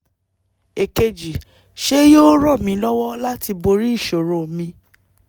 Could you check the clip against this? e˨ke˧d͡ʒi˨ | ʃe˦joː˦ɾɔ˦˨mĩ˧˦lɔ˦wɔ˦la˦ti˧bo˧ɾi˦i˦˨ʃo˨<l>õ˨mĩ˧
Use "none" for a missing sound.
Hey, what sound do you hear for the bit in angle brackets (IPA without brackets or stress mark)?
ɾ